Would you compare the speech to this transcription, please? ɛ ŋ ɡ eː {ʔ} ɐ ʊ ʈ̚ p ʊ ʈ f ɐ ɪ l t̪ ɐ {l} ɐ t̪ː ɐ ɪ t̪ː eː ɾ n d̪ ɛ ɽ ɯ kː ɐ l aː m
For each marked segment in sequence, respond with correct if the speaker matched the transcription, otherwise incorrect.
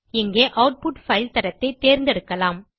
correct, incorrect

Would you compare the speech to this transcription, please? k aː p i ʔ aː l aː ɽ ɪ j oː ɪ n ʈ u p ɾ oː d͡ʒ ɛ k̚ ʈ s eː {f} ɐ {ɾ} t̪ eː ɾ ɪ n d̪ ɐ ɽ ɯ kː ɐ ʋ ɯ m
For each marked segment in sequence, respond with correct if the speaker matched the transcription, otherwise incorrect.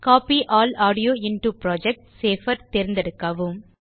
correct, correct

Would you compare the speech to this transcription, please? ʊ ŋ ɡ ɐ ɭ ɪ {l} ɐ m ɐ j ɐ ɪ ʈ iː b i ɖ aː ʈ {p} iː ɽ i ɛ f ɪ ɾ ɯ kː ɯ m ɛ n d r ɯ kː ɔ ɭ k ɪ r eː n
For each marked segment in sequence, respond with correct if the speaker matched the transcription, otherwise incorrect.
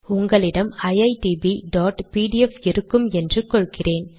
incorrect, correct

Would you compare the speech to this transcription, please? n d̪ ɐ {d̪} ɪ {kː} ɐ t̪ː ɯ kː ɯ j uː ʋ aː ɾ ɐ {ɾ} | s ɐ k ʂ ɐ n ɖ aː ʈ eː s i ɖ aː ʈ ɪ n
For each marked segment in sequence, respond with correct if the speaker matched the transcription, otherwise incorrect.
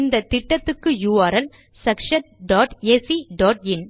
incorrect, incorrect, incorrect

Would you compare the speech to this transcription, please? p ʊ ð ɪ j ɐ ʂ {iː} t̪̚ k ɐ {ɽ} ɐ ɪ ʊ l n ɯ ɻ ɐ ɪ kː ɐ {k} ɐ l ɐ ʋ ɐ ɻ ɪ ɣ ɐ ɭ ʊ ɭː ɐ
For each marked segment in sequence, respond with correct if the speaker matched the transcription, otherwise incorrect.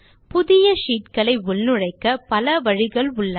correct, incorrect, incorrect

